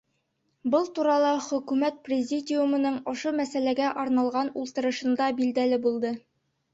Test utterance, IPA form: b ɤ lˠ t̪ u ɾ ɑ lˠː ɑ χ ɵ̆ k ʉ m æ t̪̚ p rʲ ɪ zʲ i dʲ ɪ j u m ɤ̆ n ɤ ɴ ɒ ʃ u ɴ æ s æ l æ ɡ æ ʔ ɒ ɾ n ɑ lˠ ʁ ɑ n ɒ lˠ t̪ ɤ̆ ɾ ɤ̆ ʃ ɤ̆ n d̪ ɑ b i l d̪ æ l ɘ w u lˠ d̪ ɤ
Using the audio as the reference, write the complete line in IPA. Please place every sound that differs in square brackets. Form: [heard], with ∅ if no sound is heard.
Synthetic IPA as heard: b ɤ lˠ t̪ u ɾ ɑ [lˠ] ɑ χ ɵ̆ k ʉ m æ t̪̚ p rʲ ɪ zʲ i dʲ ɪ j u m ɤ̆ n ɤ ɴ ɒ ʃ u [m] æ s æ l æ ɡ æ ʔ ɒ ɾ n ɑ lˠ ʁ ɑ n [u] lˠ t̪ ɤ̆ ɾ ɤ̆ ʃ ɤ̆ n d̪ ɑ b i l d̪ æ l ɘ [b] u lˠ d̪ ɤ